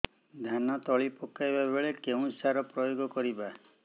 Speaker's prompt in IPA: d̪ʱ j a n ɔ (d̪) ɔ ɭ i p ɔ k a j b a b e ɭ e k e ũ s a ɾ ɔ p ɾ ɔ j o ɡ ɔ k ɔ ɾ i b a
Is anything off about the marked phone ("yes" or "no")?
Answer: yes